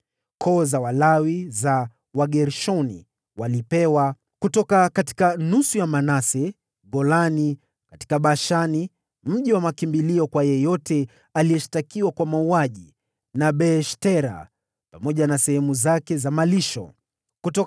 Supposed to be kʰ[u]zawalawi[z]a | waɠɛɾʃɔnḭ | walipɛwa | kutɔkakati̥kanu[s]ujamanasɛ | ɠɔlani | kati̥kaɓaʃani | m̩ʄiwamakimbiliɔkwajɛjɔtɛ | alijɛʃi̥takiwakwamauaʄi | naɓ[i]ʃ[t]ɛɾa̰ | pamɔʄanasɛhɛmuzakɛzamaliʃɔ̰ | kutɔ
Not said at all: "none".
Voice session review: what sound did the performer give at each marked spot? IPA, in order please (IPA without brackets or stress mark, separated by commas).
ɔ, z, s, ɛ, t